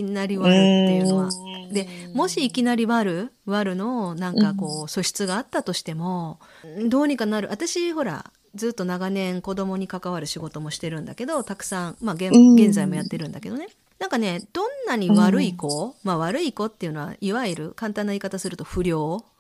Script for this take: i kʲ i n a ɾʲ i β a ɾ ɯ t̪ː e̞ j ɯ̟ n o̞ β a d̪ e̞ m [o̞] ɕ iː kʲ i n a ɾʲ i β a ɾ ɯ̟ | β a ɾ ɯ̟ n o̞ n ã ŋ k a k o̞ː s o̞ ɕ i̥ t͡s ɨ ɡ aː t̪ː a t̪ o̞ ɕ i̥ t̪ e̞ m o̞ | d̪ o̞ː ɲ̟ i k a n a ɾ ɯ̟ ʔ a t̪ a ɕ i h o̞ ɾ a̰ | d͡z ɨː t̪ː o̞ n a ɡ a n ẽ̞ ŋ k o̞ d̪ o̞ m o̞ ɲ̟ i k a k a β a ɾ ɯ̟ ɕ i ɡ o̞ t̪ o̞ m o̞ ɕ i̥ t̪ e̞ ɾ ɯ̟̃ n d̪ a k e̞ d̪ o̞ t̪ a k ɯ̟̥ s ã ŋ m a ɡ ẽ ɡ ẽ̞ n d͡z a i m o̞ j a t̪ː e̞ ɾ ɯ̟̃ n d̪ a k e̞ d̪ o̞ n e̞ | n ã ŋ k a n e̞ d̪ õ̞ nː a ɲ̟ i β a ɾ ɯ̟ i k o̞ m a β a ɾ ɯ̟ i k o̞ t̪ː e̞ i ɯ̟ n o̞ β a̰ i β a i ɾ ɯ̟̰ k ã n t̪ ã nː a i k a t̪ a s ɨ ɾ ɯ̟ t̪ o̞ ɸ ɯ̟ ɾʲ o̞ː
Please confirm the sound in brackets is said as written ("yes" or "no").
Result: yes